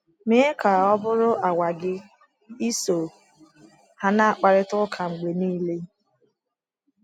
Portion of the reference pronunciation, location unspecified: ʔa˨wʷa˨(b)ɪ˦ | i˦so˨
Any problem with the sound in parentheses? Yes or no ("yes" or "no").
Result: yes